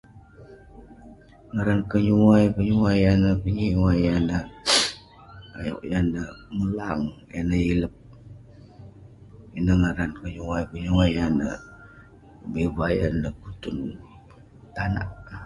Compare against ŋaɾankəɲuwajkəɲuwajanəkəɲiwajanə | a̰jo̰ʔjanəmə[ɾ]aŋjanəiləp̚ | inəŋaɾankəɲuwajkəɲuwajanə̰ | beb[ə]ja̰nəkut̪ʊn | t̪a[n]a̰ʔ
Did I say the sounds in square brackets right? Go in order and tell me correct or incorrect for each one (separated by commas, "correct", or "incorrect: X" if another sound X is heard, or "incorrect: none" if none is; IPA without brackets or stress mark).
incorrect: l, incorrect: a, correct